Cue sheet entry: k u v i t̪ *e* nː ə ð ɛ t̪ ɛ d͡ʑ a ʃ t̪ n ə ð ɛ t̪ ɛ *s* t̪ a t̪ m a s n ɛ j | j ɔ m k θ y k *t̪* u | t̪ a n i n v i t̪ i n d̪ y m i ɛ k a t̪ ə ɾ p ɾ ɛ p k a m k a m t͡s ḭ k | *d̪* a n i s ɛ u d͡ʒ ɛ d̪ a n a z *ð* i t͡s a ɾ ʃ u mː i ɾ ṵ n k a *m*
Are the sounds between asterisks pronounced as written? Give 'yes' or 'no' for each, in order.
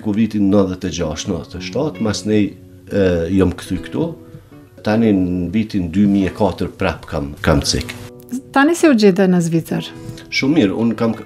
no, no, yes, no, no, yes

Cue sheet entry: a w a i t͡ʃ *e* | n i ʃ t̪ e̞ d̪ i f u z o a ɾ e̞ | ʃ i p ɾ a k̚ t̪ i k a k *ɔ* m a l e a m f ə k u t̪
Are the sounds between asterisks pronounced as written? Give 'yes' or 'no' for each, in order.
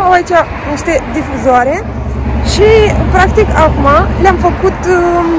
no, no

